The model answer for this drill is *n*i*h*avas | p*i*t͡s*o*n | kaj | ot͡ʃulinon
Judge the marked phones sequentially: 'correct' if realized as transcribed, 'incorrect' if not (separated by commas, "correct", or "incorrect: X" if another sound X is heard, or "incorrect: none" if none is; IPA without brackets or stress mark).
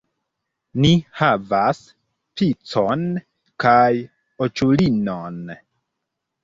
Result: correct, correct, correct, correct